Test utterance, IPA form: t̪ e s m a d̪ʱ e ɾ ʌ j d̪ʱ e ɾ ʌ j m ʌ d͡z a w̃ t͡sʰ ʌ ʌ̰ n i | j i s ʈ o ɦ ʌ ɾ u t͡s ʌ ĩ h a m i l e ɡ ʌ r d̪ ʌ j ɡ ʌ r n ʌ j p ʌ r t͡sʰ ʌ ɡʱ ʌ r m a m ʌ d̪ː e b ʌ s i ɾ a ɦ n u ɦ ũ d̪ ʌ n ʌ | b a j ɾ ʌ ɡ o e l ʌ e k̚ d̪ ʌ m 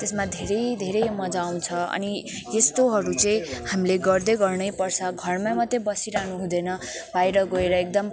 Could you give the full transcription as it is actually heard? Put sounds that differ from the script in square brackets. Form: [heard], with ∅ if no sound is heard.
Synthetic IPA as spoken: t̪ e s m a d̪ʱ e ɾ ʌ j d̪ʱ e ɾ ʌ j m ʌ d͡z a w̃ t͡sʰ ʌ ʌ̰ n i | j [e] s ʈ o ɦ ʌ ɾ u t͡s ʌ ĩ h a m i l e ɡ ʌ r d̪ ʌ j ɡ ʌ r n ʌ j p ʌ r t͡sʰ ʌ ɡʱ ʌ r m a m ʌ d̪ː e b ʌ s i ɾ a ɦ n u ɦ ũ d̪ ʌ n ʌ | b a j ɾ ʌ ɡ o e [ɾ] ʌ e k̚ d̪ ʌ m